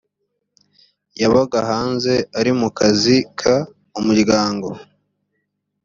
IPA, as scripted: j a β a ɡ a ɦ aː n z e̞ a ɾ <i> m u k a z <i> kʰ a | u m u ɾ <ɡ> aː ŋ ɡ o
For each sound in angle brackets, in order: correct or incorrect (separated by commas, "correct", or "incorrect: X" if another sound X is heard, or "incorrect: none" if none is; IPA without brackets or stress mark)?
correct, correct, correct